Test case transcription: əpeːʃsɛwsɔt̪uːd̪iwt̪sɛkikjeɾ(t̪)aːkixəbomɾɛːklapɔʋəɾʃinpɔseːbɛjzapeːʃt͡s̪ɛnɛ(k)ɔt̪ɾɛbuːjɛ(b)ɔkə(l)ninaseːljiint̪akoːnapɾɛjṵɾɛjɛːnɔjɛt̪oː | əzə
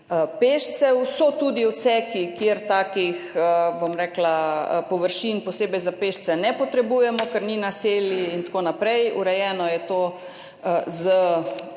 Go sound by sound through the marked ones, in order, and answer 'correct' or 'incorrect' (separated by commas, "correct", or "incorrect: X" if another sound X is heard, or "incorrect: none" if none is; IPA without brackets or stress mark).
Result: correct, incorrect: p, incorrect: m, incorrect: ɾ